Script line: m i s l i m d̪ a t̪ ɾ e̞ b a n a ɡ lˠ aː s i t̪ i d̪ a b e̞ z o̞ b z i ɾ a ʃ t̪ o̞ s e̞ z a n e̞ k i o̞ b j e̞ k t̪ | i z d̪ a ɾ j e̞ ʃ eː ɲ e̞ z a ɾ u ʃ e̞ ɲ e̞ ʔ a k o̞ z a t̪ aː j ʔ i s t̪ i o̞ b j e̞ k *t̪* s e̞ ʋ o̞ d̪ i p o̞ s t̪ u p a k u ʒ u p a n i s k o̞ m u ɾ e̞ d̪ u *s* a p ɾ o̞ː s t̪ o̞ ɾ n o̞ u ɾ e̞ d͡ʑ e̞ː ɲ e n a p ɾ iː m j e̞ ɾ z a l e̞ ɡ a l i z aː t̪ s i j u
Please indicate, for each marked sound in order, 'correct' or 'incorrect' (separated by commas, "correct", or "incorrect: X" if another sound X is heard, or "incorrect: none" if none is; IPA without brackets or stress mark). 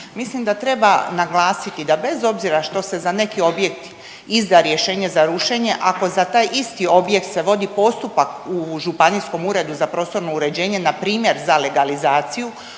correct, incorrect: z